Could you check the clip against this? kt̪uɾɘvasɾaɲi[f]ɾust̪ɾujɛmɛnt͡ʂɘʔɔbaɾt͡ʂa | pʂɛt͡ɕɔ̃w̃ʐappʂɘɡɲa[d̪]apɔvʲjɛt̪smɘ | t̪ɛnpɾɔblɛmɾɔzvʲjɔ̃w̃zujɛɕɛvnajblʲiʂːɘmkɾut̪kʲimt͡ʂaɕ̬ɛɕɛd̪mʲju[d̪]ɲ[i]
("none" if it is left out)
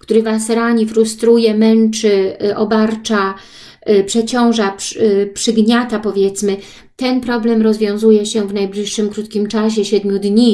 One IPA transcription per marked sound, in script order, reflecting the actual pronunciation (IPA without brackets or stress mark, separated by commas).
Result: f, t̪, d̪, i